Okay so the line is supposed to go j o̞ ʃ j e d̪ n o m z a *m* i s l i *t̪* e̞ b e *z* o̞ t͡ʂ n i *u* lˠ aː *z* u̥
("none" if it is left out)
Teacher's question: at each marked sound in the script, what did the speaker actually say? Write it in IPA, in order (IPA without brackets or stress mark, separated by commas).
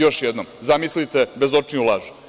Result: m, t̪, z, u, ʒ